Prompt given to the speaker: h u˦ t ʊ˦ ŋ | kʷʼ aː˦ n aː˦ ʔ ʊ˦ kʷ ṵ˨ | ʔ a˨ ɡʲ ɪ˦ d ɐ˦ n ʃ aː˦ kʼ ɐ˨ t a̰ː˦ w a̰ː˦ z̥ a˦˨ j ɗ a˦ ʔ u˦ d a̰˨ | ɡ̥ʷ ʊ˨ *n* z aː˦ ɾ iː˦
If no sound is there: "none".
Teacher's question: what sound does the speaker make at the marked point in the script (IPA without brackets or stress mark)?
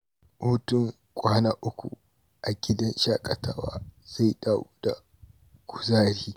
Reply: none